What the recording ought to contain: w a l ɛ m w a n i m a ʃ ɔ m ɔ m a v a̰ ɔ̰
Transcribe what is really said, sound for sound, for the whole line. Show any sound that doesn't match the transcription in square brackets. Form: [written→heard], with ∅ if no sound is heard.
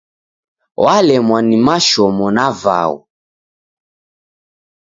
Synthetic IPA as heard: w a l ɛ m w a n i m a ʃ ɔ m ɔ [m→n] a v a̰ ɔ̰